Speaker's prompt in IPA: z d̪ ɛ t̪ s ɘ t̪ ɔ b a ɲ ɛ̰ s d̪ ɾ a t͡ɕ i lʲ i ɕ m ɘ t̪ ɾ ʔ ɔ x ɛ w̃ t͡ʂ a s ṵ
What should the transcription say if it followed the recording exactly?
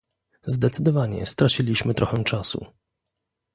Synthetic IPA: z d̪ ɛ t̪ s ɘ d̪ ɔ v a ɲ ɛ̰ s t̪ ɾ a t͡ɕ i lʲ i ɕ m ɘ t̪ ɾ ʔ ɔ x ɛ w̃ t͡ʂ a s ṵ

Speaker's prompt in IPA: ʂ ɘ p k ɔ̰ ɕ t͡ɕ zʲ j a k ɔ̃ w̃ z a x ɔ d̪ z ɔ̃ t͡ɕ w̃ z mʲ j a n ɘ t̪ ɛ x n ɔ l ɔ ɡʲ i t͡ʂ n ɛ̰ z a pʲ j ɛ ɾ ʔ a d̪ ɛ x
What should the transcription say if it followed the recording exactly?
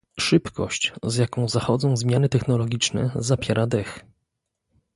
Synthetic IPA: ʂ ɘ p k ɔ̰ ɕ t͡ɕ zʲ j a k ɔ̃ w̃ z a x ɔ d̪ z ɔ̃ w̃ z mʲ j a n ɘ t̪ ɛ x n ɔ l ɔ ɡʲ i t͡ʂ n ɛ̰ z a pʲ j ɛ ɾ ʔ a d̪ ɛ x

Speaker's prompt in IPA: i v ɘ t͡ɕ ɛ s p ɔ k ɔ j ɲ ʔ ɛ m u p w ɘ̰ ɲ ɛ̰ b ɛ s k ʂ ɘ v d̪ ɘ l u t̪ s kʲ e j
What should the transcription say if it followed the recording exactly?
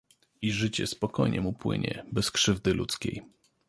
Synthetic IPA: i ʐ ɘ t͡ɕ ɛ s p ɔ k ɔ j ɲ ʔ ɛ m u p w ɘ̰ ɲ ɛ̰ b ɛ s k ʂ ɘ v d̪ ɘ l u t̪ s kʲ e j

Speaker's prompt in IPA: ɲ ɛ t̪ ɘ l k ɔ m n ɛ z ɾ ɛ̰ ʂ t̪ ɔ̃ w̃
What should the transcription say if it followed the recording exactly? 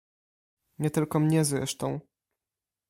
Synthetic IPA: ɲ ɛ t̪ ɘ l k ɔ m ɲ ɛ z ɾ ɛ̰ ʂ t̪ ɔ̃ w̃

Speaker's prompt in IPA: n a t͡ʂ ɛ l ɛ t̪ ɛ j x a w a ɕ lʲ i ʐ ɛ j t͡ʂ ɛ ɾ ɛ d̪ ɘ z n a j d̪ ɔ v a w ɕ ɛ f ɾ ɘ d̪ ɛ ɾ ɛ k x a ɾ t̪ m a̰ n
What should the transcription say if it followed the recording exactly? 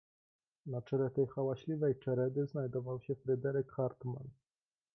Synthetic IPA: n a t͡ʂ ɛ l ɛ t̪ ɛ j x a w a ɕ lʲ i v ɛ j t͡ʂ ɛ ɾ ɛ d̪ ɘ z n a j d̪ ɔ v a w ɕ ɛ f ɾ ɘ d̪ ɛ ɾ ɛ k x a ɾ t̪ m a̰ n

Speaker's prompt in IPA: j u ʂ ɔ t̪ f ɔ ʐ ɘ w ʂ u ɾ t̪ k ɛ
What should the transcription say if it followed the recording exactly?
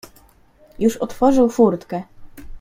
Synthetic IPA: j u ʂ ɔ t̪ f ɔ ʐ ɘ w f u ɾ t̪ k ɛ

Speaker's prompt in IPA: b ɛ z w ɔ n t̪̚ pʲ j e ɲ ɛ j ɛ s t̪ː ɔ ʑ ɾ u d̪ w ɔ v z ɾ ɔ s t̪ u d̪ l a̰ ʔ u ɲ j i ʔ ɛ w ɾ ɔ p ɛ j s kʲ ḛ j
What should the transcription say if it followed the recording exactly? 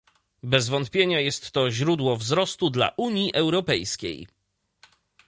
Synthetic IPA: b ɛ z v ɔ n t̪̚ pʲ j e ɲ a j ɛ s t̪ː ɔ ʑ ɾ u d̪ w ɔ v z ɾ ɔ s t̪ u d̪ l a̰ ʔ u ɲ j i ʔ ɛ w ɾ ɔ p ɛ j s kʲ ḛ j

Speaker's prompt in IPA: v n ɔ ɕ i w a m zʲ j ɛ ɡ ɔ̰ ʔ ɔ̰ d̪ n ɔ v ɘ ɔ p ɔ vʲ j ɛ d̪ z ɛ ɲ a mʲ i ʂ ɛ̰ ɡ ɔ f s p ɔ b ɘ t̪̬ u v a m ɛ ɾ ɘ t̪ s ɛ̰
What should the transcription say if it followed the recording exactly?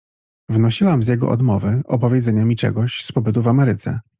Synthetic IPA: v n ɔ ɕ i w a m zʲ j ɛ ɡ ɔ̰ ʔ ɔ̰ d̪ m ɔ v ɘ ɔ p ɔ vʲ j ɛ d̪ z ɛ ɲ a mʲ i t͡ʂ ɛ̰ ɡ ɔ ɕ s p ɔ b ɘ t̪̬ u v a m ɛ ɾ ɘ t̪ s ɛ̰

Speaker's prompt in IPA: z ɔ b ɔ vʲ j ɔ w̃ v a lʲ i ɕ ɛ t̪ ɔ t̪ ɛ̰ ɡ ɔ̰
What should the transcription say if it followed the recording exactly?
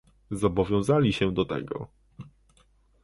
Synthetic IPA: z ɔ b ɔ vʲ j ɔ̃ w̃ z a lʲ i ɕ ɛ d̪ ɔ t̪ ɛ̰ ɡ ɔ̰

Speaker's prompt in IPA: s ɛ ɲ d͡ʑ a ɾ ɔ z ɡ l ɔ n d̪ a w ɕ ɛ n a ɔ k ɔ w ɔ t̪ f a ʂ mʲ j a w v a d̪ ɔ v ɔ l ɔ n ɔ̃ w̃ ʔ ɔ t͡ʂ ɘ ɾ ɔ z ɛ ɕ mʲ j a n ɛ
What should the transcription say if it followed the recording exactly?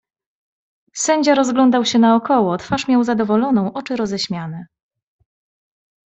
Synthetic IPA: s ɛ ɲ d͡ʑ a ɾ ɔ z ɡ l ɔ n d̪ a w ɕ ɛ n a ɔ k ɔ w ɔ t̪ f a ʂ mʲ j a w z a d̪ ɔ v ɔ l ɔ n ɔ̃ w̃ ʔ ɔ t͡ʂ ɘ ɾ ɔ z ɛ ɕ mʲ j a n ɛ

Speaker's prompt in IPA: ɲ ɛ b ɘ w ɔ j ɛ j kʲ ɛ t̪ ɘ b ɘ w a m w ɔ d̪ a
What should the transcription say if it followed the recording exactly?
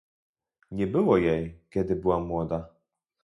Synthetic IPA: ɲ ɛ b ɘ w ɔ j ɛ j kʲ ɛ d̪ ɘ b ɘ w a m w ɔ d̪ a

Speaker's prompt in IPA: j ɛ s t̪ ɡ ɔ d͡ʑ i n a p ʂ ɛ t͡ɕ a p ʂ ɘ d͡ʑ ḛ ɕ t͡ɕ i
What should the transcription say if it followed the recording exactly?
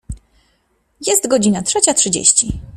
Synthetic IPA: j ɛ s t̪ ɡ ɔ d͡ʑ i n a t ʂ ɛ t͡ɕ a t ʂ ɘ d͡ʑ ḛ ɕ t͡ɕ i

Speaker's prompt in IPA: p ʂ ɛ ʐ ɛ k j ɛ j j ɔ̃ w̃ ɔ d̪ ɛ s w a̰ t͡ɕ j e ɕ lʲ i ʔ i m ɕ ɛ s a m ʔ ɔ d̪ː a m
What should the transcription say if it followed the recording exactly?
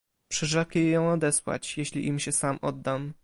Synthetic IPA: p ʂ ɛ ʐ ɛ k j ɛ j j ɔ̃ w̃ ɔ d̪ ɛ s w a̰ t͡ɕ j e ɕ lʲ i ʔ i m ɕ ɛ s a m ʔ ɔ d̪ː a m

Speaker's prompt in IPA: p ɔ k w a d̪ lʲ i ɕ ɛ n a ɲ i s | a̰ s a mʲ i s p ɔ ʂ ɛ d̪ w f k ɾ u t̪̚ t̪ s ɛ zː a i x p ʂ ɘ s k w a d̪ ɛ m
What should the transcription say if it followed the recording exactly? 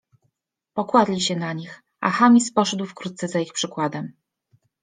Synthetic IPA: p ɔ k w a d̪ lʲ i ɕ ɛ n a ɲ i x | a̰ x a mʲ i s p ɔ ʂ ɛ d̪ w f k ɾ u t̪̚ t̪ s ɛ z a i x p ʂ ɘ k w a d̪ ɛ m

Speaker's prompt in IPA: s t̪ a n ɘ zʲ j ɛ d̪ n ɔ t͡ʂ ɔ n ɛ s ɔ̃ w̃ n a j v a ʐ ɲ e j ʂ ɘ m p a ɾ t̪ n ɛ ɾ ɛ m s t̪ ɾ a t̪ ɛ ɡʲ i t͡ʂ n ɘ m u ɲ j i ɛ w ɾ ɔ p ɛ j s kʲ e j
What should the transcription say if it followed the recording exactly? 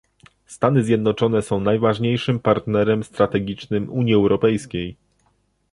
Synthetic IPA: s t̪ a n ɘ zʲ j ɛ d̪ n ɔ t͡ʂ ɔ n ɛ s ɔ̃ w̃ n a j v a ʐ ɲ e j ʂ ɘ m p a ɾ t̪ n ɛ ɾ ɛ m s t̪ ɾ a t̪ ɛ ɡʲ i t͡ʂ n ɘ m u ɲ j i ɛ w ɾ ɔ p ɛ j s kʲ e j

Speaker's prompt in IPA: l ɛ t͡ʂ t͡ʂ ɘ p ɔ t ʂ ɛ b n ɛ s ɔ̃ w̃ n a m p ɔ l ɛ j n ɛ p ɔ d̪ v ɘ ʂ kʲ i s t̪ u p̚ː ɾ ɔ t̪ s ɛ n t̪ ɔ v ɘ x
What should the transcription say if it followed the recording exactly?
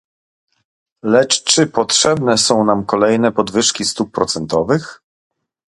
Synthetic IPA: l ɛ t͡ʂ t͡ʂ ɘ p ɔ t ʂ ɛ b n ɛ s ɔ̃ w̃ n a m k ɔ l ɛ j n ɛ p ɔ d̪ v ɘ ʂ kʲ i s t̪ u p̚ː ɾ ɔ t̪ s ɛ n t̪ ɔ v ɘ x

